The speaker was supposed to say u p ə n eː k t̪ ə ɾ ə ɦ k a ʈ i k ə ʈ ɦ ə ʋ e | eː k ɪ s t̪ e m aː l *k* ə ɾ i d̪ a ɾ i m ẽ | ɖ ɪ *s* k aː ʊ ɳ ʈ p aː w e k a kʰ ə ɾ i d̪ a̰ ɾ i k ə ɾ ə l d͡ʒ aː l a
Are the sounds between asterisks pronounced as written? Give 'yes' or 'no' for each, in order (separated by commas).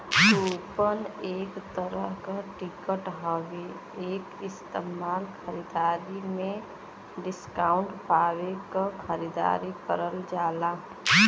no, yes